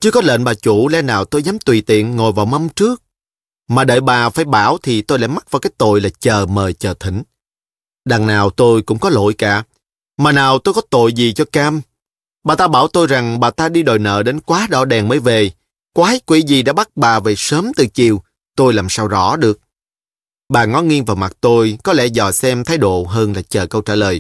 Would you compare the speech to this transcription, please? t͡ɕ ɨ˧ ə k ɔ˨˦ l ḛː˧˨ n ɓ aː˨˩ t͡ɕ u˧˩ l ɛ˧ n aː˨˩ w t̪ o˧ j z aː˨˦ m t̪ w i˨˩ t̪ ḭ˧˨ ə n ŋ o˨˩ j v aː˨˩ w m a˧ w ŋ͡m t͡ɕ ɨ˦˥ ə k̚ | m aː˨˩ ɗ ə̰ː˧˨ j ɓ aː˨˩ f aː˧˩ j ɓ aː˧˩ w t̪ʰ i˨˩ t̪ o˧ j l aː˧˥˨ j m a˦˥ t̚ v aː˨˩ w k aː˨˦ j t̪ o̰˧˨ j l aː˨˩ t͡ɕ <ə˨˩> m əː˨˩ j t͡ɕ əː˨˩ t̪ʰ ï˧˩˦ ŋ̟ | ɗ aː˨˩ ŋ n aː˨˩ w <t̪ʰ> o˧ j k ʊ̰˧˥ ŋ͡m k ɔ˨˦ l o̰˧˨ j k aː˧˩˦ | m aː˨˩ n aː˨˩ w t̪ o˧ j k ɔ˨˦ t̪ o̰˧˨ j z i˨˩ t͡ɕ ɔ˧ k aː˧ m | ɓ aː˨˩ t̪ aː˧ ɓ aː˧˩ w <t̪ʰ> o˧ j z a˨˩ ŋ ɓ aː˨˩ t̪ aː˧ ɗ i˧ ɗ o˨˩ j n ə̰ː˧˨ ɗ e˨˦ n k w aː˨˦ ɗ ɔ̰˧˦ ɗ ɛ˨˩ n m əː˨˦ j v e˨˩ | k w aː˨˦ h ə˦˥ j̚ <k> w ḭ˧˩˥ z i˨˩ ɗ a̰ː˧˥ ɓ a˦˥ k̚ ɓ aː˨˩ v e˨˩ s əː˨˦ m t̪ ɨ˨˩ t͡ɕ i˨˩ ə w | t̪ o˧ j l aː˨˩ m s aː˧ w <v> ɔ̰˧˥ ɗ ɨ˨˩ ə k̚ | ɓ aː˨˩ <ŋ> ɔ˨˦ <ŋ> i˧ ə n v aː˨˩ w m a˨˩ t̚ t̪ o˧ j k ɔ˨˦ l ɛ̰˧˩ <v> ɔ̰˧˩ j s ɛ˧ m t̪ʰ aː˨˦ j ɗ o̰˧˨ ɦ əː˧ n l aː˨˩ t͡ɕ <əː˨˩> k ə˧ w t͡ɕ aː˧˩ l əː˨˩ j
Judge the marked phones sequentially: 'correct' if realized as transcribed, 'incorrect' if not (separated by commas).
incorrect, incorrect, incorrect, correct, incorrect, correct, correct, incorrect, correct